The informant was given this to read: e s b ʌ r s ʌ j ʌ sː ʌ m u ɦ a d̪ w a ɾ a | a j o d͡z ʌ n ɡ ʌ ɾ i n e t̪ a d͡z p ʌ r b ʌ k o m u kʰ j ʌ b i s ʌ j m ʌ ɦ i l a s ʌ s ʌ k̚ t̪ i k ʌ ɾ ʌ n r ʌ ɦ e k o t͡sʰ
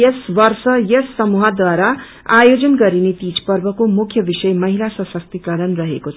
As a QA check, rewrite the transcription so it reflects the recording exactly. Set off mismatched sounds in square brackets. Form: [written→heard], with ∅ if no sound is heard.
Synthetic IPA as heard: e s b ʌ r s ʌ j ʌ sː ʌ m u ɦ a d̪ w a ɾ a | a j o d͡z ʌ n ɡ ʌ ɾ i n e t̪ [a→i] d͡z p ʌ r b ʌ k o m u kʰ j ʌ b i s ʌ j m ʌ ɦ i l a s ʌ s ʌ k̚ t̪ i k ʌ ɾ ʌ n r ʌ ɦ e k o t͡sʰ